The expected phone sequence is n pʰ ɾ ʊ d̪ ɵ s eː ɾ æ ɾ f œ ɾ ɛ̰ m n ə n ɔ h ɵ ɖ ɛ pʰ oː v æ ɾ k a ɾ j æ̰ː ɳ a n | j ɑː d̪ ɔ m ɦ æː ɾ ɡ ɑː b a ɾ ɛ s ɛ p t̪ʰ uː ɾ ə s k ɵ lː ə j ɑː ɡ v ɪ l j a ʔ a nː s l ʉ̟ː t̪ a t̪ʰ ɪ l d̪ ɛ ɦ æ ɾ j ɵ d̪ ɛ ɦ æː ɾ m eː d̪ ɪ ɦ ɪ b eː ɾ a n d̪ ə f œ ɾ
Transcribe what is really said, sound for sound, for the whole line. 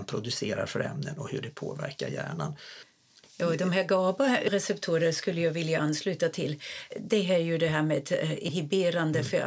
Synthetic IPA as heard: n pʰ ɾ ʊ d̪ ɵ s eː ɾ a ɾ f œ ɾ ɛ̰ m n ə n ɔ h ɵ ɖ ɛ pʰ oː v æ ɾ k a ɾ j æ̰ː ɳ a n | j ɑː d̪ ɔ m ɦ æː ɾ ɡ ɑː b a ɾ ɛ s ɛ p t̪ʰ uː ɾ ə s k ɵ lː ə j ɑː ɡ v ɪ l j a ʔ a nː s l ʉ̟ː t̪ a t̪ʰ ɪ l d̪ ɛ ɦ æ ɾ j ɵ d̪ ɛ ɦ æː ɾ m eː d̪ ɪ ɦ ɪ b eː ɾ a n d̪ ə f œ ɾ